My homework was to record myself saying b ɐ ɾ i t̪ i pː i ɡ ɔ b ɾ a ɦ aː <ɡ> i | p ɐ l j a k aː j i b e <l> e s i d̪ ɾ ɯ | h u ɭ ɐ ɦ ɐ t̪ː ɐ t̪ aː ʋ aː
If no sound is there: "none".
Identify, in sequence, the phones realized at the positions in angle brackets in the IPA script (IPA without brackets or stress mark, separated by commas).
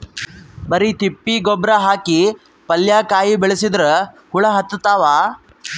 k, ɭ